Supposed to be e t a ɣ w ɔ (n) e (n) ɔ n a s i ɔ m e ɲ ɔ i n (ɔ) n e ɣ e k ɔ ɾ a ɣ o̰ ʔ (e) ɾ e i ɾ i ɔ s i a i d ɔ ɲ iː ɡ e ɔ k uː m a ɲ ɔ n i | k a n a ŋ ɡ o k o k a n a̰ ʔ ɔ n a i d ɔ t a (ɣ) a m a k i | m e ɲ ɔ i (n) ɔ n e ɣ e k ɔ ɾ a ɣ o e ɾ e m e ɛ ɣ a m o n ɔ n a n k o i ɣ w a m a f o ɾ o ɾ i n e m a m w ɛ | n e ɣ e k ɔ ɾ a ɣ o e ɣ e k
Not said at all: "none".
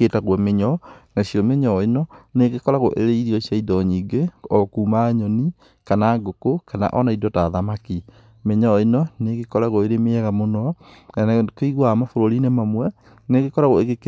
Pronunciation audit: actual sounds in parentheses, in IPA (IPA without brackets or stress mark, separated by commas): m, ɲ, ɔ, e, ð, n